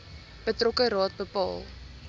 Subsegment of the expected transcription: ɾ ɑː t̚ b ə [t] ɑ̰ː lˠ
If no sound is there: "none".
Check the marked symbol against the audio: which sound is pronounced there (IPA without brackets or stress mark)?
p